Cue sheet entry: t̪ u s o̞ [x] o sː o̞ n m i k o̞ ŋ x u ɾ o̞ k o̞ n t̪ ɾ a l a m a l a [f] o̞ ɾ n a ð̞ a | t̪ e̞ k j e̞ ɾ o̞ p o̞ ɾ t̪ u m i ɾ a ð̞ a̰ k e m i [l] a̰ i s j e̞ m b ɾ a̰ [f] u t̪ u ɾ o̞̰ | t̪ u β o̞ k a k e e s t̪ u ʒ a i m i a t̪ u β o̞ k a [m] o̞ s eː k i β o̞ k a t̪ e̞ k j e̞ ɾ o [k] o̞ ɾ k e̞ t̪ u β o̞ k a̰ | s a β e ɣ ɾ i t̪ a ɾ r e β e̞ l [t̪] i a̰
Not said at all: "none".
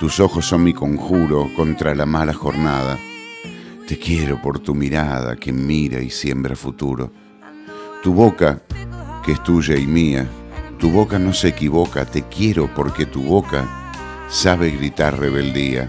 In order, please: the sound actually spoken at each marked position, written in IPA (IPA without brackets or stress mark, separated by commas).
x, x, ɾ, f, n, p, d̪